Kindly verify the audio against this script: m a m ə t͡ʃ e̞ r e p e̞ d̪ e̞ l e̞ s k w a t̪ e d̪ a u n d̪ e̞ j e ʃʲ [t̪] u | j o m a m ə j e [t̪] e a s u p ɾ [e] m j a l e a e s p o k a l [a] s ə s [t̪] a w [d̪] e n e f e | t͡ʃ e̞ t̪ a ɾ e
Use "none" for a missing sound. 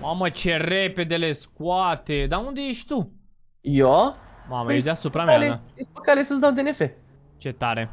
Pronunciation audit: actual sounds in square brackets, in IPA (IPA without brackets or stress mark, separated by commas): t̪, d̪, a, e, d̪, d̪